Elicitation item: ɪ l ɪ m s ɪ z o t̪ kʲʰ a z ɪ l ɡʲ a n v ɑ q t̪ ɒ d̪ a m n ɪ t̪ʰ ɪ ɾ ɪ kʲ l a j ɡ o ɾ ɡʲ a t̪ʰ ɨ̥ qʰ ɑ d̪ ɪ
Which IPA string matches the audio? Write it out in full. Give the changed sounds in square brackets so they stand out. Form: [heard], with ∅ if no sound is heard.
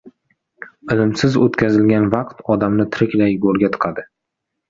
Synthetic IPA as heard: ɪ l ɪ m s ɪ z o t̪ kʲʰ a z ɪ l ɡʲ a n v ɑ q t̪ ɒ d̪ a m n ɪ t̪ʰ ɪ ɾ ɪ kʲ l a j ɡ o ɾ ɡʲ a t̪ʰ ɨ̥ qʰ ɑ d̪ ɪ